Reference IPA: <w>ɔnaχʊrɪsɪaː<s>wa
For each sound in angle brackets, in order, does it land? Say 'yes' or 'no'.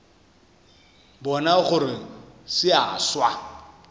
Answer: no, yes

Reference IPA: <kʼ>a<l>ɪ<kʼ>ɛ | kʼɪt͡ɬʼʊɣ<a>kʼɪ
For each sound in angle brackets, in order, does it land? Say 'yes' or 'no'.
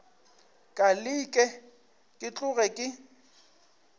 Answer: yes, yes, yes, no

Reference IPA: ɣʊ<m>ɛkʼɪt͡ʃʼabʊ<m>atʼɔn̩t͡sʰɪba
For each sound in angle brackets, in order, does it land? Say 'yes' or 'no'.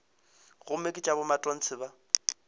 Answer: yes, yes

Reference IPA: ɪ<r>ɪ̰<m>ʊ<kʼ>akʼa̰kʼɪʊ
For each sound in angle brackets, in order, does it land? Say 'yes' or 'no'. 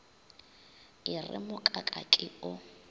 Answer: yes, yes, yes

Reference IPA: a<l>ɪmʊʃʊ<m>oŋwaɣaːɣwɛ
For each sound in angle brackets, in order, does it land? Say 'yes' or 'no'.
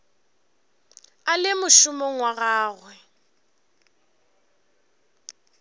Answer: yes, yes

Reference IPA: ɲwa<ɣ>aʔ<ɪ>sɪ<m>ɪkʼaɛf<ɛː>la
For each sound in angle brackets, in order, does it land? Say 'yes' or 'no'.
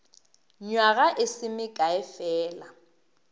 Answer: yes, yes, yes, yes

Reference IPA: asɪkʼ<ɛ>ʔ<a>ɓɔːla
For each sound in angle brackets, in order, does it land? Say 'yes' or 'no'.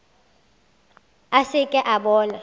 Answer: yes, yes

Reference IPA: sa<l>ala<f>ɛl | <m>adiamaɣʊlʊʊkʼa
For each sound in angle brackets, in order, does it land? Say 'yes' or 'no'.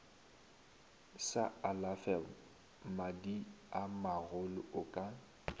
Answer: no, yes, yes

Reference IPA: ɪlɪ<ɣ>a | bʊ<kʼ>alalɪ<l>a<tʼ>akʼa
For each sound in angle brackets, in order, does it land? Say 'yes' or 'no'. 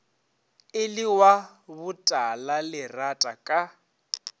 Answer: no, no, no, yes

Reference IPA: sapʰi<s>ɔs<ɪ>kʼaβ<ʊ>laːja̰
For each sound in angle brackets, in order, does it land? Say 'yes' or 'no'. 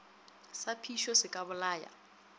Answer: no, yes, yes

